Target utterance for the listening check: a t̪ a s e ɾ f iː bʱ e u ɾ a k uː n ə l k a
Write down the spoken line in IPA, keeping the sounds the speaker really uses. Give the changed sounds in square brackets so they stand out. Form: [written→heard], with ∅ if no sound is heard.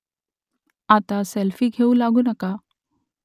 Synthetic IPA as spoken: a t̪ a s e [ɾ→l] f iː [bʱ→ɡʱ] e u [ɾ→l] a [k→ɡ] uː n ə [l→∅] k a